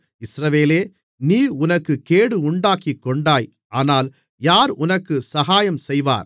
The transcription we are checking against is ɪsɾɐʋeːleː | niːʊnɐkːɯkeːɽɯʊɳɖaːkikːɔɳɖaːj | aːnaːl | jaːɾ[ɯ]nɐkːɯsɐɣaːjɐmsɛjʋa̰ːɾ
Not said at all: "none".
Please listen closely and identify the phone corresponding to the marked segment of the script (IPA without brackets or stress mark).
ʊ